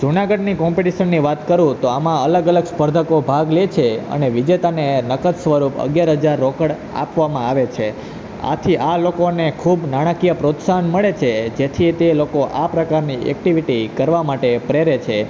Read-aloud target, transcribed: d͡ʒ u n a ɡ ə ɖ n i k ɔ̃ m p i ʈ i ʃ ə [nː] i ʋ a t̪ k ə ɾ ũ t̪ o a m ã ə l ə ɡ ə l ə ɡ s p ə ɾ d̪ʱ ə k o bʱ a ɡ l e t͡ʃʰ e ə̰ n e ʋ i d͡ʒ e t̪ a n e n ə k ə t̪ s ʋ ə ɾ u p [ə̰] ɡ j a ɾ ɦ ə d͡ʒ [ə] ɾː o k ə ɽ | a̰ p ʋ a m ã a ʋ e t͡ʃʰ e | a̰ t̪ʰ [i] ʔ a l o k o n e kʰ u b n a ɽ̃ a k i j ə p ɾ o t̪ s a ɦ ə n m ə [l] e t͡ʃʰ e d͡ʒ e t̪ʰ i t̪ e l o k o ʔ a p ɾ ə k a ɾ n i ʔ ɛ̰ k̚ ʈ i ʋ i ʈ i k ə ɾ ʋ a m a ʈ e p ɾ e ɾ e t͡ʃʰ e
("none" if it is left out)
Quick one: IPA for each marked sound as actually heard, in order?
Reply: nː, ə̰, a, i, ɭ

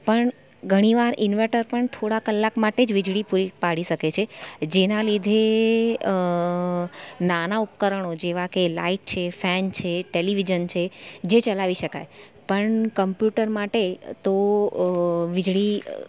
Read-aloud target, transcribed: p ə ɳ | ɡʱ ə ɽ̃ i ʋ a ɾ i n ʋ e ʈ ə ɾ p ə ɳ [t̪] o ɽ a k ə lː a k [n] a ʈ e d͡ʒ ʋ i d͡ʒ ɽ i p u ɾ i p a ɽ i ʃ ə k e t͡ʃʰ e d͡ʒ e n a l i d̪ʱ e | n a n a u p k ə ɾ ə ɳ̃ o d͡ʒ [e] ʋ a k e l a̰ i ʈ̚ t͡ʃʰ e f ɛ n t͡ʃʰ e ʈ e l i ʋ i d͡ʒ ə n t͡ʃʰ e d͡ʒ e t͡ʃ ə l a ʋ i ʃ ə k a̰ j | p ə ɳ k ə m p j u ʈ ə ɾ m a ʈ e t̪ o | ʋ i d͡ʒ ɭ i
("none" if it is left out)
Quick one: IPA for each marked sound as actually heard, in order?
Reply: t̪ʰ, m, e

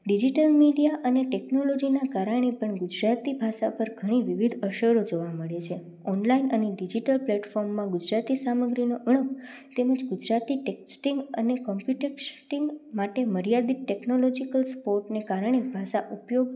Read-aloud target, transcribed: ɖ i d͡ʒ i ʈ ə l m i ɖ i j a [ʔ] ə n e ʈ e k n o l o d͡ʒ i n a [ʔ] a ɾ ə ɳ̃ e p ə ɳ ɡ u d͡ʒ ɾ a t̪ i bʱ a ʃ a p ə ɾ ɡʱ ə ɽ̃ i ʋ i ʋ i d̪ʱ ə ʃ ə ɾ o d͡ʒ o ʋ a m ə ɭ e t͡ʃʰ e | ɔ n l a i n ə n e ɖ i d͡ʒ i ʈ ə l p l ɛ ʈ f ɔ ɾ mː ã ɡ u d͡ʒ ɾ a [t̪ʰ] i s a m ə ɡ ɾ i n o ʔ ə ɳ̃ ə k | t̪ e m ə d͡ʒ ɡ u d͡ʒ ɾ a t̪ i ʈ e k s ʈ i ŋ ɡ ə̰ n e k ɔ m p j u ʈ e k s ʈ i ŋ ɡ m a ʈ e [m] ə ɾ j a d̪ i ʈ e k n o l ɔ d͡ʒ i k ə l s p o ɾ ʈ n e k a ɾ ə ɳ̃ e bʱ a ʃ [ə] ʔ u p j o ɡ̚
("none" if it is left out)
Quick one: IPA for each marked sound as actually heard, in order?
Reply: ʔ, k, t̪, m, a

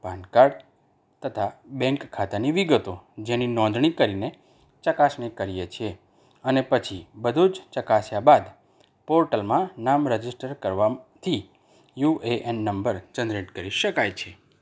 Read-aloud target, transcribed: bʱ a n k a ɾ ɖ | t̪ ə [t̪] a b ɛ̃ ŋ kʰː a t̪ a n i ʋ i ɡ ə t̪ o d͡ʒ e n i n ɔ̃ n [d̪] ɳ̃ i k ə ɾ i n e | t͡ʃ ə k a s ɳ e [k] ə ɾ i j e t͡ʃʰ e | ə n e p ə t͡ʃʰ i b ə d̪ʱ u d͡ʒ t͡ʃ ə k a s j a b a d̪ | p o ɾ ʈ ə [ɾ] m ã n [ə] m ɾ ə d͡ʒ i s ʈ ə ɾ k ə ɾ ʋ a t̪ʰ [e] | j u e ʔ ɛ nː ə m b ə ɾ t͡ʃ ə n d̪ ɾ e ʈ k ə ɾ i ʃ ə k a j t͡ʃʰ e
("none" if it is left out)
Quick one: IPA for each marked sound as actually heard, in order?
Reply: t̪ʰ, d̪, k, l, a, i

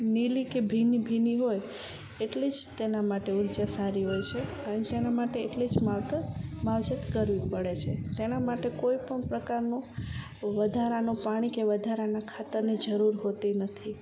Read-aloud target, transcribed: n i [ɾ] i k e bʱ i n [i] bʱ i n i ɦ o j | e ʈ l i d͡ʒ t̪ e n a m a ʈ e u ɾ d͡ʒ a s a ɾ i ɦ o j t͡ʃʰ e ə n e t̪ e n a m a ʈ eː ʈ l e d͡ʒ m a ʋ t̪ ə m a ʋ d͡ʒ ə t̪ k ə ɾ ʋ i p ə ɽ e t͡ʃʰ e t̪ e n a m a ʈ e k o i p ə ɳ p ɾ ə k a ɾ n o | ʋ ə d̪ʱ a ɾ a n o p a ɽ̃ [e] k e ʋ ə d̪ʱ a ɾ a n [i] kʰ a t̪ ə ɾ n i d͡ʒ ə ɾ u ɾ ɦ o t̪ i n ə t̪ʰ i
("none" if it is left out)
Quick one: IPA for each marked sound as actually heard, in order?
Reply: l, i, i, a

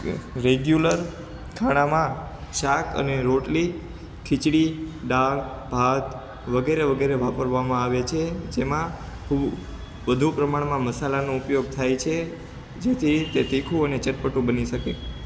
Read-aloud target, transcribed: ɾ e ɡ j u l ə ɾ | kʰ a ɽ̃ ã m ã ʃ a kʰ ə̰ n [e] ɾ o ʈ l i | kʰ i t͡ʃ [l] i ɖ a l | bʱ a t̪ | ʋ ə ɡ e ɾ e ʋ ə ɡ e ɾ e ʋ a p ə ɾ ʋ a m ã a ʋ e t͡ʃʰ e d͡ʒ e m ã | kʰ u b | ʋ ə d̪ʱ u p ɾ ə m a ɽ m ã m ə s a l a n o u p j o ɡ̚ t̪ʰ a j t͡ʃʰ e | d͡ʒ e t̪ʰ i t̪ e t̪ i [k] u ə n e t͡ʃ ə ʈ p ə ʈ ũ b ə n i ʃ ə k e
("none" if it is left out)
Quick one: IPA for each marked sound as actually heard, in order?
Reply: e, ɽ, kʰ

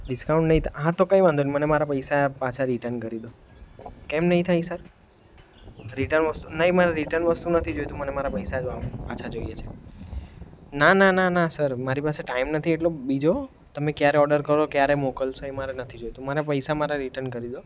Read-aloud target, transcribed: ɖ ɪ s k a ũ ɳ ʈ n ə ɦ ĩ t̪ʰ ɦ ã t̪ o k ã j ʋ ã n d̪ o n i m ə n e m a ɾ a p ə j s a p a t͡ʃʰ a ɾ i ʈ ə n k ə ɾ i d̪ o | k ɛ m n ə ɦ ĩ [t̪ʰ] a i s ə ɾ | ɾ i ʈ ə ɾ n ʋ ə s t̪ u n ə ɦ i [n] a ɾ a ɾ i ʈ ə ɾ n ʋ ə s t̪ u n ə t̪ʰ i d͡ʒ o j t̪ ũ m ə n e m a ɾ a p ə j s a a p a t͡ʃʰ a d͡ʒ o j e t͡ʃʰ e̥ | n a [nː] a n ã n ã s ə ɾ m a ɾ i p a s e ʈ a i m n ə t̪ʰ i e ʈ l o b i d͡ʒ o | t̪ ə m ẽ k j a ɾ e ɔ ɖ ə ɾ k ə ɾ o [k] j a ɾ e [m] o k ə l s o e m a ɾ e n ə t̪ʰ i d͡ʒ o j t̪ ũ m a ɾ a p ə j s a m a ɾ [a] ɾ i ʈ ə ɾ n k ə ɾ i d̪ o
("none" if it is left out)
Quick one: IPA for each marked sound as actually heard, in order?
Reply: t̪ʰ, m, n, k, m, a

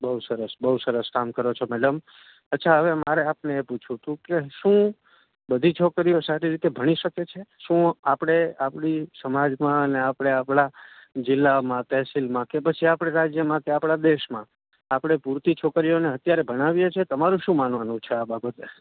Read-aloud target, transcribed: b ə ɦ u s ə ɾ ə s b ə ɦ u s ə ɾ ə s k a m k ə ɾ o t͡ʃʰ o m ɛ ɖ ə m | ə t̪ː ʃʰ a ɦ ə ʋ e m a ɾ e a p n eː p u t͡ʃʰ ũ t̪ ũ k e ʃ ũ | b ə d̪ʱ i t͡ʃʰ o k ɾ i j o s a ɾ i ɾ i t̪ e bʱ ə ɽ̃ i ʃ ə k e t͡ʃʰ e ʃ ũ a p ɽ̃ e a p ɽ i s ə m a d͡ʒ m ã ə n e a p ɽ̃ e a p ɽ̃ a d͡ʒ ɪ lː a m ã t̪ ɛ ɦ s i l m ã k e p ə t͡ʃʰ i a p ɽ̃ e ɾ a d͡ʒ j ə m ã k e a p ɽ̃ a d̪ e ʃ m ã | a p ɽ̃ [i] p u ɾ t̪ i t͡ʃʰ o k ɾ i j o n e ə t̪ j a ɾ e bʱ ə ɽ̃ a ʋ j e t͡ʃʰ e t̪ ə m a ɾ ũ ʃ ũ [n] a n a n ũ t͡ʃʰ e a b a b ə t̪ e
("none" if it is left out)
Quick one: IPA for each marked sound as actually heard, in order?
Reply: e, m

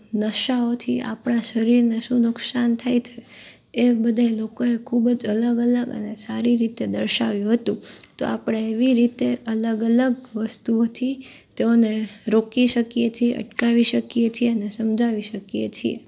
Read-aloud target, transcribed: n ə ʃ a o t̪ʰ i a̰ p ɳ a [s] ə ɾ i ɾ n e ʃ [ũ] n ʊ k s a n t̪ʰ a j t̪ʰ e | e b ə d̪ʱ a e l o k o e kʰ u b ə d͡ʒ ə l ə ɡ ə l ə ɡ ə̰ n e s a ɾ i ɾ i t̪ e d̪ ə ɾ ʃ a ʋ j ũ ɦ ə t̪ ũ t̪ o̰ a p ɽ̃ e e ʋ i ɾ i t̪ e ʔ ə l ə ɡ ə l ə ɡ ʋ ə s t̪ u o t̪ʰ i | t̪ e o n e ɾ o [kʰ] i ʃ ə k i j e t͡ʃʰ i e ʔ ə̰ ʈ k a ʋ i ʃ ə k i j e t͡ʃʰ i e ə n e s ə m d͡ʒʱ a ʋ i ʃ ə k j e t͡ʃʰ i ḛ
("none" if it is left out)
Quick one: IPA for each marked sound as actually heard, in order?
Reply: ʃ, ũ, k

